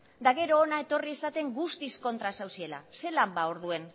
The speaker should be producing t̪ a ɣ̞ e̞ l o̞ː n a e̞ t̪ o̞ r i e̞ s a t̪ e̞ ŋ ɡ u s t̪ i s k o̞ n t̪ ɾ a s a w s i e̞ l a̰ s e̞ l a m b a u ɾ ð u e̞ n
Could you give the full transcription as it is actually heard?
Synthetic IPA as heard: d̪ a ɣ̞ e̞ ɾ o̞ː n a e̞ t̪ o̞ r i e̞ s a t̪ e̞ ŋ ɡ u s t̪ i s k o̞ n t̪ ɾ a s a w s i e̞ l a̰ s e̞ l a m b a o ɾ ð u e̞ n